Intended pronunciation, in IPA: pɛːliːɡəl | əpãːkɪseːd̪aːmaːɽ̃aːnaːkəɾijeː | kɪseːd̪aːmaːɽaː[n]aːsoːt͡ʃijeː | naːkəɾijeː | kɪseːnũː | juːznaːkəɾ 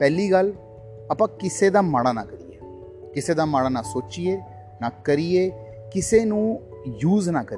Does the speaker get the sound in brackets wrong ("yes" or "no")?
no